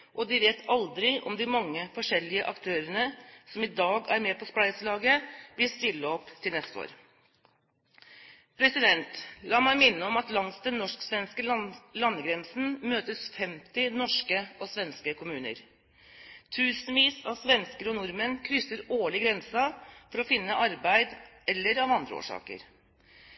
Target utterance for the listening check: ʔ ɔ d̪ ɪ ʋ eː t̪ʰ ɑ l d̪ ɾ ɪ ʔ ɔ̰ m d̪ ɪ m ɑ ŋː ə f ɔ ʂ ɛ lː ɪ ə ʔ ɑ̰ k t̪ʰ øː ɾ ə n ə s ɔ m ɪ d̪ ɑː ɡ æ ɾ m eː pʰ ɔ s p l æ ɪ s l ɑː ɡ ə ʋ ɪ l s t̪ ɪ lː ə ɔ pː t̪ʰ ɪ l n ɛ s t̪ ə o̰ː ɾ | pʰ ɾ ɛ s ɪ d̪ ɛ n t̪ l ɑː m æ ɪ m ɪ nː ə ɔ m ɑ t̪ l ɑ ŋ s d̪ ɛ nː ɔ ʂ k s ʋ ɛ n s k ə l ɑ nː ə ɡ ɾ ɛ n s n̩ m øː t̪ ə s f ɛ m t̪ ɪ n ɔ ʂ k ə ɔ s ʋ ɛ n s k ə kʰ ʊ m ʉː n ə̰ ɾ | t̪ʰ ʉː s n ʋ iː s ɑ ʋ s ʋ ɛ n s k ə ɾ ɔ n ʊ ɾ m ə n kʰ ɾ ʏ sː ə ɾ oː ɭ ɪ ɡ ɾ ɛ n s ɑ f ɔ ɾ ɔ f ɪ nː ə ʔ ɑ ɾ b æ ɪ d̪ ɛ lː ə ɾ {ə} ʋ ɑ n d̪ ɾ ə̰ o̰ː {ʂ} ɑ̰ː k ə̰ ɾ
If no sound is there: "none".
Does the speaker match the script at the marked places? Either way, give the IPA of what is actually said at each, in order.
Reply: ɑ, ʂ

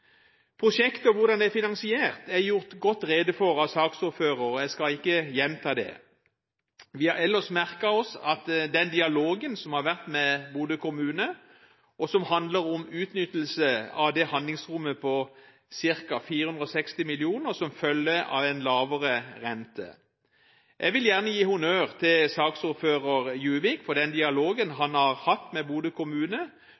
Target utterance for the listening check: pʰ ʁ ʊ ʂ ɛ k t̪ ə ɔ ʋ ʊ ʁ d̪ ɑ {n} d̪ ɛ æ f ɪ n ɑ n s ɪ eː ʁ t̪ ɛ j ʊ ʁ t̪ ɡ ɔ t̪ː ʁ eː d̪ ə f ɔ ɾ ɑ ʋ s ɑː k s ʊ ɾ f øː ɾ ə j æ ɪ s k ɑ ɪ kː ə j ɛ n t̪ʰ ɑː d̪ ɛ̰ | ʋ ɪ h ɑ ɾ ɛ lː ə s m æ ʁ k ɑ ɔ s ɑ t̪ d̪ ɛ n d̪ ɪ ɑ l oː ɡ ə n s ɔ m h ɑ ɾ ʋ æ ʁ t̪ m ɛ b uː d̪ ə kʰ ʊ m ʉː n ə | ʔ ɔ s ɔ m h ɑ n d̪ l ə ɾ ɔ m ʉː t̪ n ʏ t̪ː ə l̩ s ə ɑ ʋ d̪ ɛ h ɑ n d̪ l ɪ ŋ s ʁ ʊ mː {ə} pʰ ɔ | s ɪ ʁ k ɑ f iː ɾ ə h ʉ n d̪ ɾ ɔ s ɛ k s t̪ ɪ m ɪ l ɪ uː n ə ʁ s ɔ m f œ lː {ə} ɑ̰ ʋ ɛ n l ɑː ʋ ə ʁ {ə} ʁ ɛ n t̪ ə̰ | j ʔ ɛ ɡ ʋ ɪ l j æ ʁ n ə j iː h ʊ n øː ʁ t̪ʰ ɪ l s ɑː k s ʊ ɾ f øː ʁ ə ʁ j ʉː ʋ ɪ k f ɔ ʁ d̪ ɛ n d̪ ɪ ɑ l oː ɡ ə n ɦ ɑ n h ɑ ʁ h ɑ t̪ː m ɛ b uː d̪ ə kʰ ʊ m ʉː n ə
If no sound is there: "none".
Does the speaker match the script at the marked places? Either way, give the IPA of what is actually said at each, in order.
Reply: n, ə, ə, ə

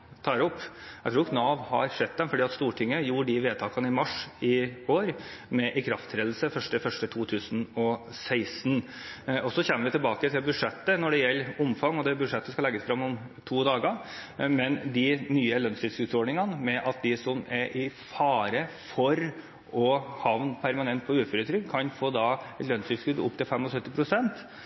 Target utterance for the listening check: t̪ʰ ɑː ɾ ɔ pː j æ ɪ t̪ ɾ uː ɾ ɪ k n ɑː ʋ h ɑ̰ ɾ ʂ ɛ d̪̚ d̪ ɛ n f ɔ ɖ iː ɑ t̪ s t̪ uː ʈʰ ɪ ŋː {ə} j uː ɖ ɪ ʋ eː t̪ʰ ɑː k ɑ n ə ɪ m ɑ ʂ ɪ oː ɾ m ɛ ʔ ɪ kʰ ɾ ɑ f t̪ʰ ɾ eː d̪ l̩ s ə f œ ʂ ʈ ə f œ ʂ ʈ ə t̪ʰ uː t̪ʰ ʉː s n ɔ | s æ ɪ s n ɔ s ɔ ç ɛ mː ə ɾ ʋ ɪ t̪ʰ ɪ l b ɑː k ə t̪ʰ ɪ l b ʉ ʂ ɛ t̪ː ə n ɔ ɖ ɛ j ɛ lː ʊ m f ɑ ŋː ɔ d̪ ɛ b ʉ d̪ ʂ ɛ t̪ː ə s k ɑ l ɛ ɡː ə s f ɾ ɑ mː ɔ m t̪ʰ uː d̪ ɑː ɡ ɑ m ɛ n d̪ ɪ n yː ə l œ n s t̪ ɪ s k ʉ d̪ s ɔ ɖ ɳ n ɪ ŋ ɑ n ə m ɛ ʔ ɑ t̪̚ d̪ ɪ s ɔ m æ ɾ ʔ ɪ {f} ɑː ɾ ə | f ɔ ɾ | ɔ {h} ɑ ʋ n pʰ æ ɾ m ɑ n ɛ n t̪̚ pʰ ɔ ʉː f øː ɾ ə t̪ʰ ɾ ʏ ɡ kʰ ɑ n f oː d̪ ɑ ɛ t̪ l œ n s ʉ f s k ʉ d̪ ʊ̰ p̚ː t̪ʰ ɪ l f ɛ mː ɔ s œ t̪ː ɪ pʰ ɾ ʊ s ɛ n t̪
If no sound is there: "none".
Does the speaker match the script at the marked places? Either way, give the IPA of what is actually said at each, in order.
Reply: ə, f, h

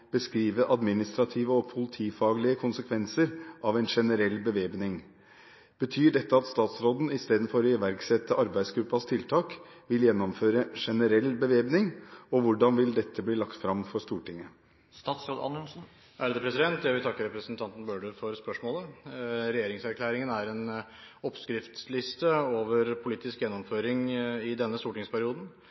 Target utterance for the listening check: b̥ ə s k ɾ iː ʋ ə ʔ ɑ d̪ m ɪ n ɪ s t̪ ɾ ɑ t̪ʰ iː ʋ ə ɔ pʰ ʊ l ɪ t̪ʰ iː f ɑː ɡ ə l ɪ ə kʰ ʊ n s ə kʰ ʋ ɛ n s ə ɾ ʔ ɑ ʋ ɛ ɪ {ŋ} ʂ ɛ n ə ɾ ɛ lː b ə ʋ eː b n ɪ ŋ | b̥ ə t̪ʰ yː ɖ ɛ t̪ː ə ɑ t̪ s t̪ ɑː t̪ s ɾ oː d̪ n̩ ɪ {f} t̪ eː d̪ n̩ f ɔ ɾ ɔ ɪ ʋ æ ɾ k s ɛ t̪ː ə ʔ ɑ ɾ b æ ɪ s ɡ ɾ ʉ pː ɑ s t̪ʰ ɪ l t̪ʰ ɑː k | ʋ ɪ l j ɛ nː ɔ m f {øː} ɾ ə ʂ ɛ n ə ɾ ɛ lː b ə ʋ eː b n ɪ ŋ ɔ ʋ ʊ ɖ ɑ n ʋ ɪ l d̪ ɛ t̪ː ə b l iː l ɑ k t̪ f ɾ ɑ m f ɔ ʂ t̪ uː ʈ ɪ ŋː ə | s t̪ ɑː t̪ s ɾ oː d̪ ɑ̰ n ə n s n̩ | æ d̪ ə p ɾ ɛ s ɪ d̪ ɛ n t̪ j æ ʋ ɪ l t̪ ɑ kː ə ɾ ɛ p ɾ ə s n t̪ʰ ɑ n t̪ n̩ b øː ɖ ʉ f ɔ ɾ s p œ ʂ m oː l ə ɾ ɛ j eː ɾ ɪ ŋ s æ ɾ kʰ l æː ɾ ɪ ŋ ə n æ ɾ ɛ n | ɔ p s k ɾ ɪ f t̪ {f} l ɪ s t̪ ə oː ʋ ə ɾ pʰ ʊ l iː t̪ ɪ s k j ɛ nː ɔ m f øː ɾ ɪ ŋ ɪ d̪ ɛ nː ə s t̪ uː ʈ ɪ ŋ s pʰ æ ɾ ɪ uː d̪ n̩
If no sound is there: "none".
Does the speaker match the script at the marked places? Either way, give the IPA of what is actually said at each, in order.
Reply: n, s, øː, s

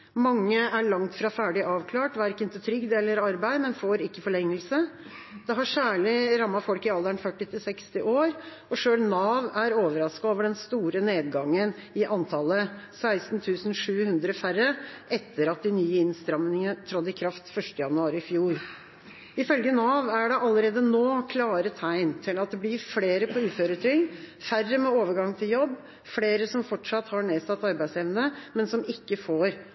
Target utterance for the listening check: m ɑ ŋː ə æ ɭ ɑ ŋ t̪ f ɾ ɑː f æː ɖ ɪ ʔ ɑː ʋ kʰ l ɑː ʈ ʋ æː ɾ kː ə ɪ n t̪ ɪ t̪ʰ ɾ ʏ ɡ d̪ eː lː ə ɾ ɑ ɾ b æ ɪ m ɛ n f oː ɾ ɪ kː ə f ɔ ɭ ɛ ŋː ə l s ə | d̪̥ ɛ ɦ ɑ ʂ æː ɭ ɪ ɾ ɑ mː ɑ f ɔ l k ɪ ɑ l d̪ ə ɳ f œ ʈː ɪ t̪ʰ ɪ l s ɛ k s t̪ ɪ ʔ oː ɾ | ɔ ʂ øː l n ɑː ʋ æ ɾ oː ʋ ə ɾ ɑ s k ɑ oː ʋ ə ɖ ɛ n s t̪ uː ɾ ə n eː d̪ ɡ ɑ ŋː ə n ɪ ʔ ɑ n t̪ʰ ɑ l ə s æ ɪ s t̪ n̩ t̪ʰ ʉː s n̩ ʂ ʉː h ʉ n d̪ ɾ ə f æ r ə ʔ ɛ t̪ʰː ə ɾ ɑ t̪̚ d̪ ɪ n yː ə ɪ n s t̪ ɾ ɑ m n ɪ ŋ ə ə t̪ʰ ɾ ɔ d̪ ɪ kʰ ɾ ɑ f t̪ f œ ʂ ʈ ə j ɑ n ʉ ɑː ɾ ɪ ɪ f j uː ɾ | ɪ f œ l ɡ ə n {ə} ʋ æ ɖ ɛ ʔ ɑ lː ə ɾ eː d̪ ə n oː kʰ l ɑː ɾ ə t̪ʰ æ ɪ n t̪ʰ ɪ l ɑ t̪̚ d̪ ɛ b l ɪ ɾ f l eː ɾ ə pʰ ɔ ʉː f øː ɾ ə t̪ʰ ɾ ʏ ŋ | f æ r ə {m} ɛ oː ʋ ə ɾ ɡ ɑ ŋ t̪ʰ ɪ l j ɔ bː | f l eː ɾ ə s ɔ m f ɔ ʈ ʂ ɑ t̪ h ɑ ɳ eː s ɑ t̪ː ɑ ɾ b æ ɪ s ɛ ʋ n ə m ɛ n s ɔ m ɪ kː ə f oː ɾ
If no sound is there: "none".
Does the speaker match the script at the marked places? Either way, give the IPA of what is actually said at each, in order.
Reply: ɑ, m

